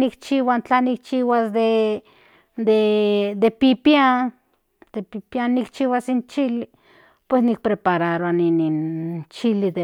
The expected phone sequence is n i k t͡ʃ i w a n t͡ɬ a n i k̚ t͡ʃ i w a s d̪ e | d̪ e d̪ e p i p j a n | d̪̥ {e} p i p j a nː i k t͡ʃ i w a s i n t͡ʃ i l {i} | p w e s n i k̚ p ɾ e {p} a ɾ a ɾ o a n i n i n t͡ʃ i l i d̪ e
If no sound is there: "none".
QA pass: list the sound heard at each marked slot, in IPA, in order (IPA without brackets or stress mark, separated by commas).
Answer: e, i, p